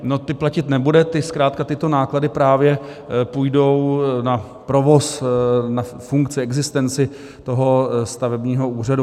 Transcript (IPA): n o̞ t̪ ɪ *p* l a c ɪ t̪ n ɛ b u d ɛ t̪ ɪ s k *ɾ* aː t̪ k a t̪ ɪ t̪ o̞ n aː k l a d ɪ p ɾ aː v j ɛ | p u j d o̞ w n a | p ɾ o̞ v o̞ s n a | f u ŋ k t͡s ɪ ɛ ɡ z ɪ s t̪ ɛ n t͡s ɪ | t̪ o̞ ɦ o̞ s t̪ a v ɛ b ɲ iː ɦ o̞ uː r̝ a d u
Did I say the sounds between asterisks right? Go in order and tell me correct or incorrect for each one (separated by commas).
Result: correct, correct